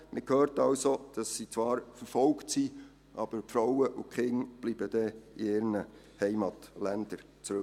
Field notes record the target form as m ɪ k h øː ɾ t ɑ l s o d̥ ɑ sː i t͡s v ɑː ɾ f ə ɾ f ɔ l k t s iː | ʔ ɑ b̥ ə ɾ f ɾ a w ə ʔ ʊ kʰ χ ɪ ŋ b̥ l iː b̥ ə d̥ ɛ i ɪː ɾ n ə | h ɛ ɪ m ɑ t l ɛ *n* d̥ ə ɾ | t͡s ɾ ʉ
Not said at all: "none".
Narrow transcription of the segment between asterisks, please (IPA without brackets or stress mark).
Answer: n